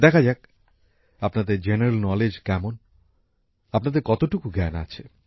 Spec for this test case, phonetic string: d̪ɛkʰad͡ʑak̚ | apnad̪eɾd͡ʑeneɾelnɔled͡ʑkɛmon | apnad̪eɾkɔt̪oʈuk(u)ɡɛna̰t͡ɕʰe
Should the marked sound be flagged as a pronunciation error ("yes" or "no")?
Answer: no